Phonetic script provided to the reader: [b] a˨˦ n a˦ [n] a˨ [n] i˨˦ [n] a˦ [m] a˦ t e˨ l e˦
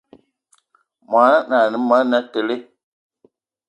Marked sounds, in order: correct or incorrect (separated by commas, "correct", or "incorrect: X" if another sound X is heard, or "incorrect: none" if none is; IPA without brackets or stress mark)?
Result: incorrect: m, correct, correct, incorrect: m, incorrect: n